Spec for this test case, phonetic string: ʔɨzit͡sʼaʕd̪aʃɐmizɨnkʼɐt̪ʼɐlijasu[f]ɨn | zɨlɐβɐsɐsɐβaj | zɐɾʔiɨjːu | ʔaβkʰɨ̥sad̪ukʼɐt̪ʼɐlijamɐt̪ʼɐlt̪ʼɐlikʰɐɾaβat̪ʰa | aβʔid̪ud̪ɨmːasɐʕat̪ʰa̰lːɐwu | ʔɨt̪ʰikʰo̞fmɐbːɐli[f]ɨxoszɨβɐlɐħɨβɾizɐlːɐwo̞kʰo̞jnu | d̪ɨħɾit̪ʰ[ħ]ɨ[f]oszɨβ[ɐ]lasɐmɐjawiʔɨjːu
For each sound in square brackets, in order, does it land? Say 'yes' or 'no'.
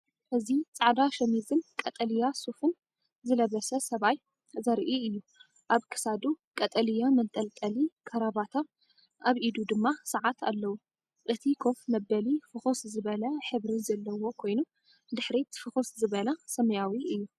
yes, yes, no, no, yes

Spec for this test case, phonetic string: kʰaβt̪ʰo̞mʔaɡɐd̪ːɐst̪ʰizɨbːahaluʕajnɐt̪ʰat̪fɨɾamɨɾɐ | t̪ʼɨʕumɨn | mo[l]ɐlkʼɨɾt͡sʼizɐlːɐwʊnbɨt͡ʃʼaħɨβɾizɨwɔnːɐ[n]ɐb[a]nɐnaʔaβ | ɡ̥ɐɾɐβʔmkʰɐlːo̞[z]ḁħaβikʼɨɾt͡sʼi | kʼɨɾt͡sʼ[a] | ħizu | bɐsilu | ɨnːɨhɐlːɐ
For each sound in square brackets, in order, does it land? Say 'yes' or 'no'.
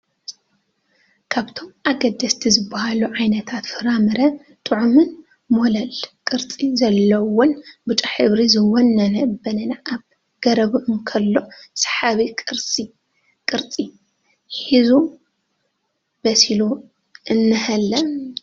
yes, yes, no, no, no

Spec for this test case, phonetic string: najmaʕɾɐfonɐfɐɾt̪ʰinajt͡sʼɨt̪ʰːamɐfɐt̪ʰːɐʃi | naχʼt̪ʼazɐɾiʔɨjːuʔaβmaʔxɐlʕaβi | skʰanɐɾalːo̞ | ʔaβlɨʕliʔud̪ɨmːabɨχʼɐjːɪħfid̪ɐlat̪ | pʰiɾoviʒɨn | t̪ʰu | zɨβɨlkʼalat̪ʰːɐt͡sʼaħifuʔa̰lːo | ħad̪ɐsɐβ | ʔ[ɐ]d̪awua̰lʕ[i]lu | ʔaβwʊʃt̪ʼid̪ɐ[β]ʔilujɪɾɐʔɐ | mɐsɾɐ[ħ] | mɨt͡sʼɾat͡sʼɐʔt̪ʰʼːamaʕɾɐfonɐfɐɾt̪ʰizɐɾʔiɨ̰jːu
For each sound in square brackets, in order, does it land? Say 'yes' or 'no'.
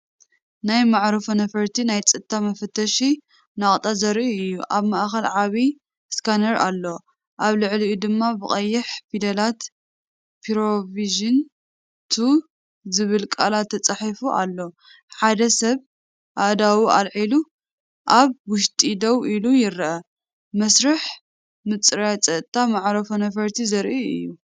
no, yes, no, yes

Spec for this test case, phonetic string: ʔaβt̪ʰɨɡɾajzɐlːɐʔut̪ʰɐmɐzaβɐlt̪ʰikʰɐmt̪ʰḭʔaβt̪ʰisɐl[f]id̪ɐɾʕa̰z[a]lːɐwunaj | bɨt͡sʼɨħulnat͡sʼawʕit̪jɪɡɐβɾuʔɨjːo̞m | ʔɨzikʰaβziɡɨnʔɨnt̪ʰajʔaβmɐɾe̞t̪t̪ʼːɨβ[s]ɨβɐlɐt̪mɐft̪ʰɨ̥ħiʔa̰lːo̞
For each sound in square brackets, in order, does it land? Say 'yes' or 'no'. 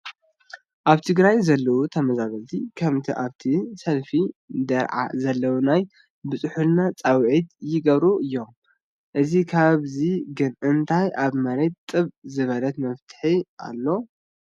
yes, no, no

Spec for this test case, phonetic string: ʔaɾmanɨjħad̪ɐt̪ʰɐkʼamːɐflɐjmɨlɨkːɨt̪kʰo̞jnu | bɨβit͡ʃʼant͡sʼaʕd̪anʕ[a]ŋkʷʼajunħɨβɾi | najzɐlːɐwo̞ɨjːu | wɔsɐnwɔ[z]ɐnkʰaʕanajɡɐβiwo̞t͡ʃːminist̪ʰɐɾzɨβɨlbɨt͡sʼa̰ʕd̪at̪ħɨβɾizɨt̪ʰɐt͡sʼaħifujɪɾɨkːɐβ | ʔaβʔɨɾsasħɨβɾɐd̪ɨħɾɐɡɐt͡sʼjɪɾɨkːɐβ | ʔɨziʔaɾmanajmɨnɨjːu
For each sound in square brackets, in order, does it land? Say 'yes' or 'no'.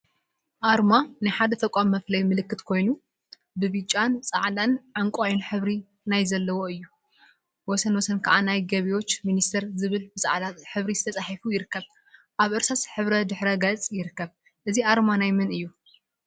yes, no

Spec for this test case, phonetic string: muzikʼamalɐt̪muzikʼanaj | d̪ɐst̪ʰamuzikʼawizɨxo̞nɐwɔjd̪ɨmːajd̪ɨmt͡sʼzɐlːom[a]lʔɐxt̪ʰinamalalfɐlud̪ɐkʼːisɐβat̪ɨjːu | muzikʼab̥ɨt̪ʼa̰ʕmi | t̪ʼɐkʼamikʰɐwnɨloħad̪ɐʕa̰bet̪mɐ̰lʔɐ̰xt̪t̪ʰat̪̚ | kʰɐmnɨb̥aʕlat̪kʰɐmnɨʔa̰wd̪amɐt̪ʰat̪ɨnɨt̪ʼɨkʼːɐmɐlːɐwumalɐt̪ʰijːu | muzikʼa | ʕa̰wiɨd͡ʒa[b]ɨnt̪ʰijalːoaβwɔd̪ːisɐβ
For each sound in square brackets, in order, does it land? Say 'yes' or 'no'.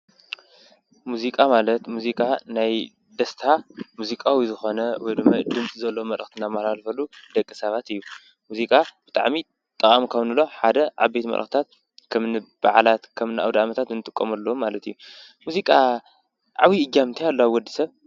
no, no

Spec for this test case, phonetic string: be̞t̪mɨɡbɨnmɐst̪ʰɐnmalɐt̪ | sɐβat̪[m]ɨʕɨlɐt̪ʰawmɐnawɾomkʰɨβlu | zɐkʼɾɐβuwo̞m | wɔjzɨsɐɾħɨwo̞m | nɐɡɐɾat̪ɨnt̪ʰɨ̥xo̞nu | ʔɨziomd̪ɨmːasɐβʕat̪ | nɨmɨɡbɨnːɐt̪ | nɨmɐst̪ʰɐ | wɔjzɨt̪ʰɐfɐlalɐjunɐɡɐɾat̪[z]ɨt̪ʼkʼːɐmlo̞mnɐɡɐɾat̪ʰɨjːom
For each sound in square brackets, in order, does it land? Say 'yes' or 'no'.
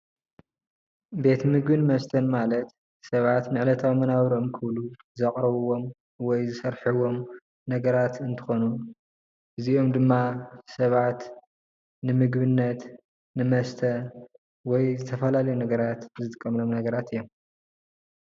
no, yes

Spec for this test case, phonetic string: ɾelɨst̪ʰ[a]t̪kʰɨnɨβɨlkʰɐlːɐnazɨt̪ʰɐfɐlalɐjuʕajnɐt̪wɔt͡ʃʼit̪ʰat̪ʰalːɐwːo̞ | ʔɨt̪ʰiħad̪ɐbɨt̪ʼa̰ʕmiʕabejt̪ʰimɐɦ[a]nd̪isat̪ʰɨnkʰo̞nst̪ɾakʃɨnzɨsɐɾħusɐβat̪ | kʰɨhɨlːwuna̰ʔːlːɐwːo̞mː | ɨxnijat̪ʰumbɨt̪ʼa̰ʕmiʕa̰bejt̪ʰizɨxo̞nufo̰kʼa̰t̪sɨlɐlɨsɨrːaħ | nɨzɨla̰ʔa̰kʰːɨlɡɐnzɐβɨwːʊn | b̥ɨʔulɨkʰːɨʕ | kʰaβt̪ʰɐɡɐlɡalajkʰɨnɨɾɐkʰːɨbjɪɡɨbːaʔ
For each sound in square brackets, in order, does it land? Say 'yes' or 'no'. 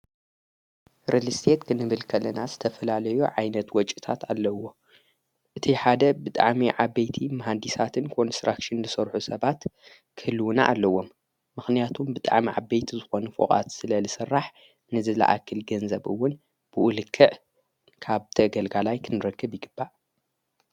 no, yes

